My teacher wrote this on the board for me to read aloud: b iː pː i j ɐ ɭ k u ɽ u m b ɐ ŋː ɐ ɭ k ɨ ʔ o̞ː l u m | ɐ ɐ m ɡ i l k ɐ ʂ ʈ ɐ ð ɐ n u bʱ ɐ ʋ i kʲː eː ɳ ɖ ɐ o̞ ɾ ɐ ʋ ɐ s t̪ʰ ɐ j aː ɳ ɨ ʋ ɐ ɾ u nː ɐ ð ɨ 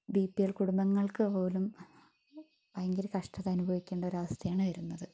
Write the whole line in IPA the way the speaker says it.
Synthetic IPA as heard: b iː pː i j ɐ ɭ k u ɽ u m b ɐ ŋː ɐ ɭ k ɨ p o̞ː l u m | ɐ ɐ ŋ ɡ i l k ɐ ʂ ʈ ɐ ð ɐ n u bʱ ɐ ʋ i kʲː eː ɳ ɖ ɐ o̞ ɾ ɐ ʋ ɐ s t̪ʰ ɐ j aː ɳ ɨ ʋ ɐ ɾ u nː ɐ ð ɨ